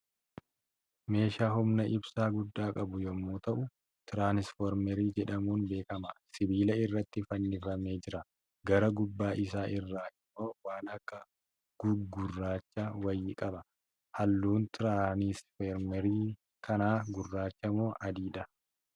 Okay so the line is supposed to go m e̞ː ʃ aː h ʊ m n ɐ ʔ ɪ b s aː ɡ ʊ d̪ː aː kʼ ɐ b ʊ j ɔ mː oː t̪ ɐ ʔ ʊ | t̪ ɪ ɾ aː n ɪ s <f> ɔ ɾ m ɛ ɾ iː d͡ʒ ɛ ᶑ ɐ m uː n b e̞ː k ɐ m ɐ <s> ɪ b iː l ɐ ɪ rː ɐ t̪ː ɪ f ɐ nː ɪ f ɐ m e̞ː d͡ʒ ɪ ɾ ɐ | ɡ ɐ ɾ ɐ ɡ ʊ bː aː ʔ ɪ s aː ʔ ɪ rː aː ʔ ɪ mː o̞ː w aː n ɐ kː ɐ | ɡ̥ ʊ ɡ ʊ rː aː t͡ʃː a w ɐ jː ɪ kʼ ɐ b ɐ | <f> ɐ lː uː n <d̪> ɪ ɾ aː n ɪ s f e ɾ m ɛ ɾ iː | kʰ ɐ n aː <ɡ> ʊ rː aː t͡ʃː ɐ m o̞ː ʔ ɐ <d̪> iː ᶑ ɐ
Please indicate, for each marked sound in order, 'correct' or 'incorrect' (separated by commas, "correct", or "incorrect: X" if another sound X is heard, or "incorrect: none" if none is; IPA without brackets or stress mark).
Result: correct, correct, incorrect: h, incorrect: t̪, correct, correct